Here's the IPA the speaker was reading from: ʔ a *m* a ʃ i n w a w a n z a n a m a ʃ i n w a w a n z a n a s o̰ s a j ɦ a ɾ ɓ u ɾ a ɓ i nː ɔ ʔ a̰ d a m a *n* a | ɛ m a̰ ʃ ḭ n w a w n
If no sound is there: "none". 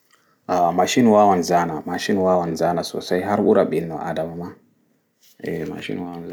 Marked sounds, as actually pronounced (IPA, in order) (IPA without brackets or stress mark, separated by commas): m, m